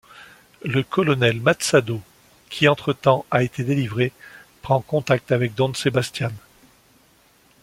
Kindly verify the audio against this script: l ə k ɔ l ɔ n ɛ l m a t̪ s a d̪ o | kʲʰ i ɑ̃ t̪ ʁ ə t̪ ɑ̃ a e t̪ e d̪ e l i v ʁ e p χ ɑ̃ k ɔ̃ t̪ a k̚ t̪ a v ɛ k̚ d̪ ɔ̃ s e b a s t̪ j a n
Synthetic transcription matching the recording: l ə k ɔ l ɔ n ɛ l m a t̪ s a d̪ o | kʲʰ i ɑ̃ t̪ χ ə t̪ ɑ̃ a e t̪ e d̪ e l i v ʁ e p χ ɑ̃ k ɔ̃ t̪ a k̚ t̪ a v ɛ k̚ d̪ ɔ̃ s e b a s t̪ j a n